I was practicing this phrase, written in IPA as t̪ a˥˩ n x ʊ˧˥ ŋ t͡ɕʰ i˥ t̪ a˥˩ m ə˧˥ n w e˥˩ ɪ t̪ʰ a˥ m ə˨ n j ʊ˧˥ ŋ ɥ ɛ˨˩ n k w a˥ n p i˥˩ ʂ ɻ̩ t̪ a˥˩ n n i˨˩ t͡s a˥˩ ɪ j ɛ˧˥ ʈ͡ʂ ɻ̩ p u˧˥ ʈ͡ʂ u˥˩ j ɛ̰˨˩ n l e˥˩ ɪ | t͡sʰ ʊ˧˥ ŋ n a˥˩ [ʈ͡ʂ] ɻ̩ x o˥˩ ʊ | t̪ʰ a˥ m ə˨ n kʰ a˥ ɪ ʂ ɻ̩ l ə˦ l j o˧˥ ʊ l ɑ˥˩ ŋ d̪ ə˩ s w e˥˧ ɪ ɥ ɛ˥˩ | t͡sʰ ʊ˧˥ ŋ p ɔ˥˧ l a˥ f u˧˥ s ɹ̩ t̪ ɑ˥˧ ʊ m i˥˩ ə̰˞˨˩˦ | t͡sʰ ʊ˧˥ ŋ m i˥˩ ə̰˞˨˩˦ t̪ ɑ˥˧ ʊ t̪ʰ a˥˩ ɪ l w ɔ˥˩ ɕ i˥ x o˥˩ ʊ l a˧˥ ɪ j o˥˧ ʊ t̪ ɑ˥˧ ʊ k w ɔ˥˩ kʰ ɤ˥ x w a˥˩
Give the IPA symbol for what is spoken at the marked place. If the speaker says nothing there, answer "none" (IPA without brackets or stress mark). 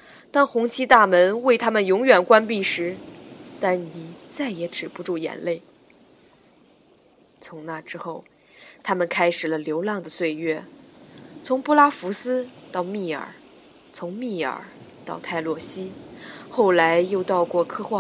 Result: ʈ͡ʂ